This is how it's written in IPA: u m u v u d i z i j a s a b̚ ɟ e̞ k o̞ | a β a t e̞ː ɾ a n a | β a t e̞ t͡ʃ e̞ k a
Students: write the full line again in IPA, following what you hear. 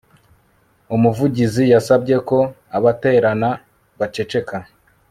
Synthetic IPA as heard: u m u v u ɟ i z i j a s a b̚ ɟ e̞ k o̞ | a β a t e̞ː ɾ a n a | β a t͡ʃ e̞ t͡ʃ e̞ k a